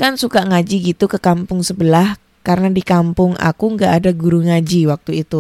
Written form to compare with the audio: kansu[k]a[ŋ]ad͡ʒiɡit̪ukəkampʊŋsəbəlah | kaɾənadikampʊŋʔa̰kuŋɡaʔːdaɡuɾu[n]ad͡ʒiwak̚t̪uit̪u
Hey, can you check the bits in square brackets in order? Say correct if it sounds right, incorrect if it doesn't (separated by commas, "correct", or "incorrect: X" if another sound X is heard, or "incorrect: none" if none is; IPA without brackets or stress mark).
correct, correct, incorrect: ŋ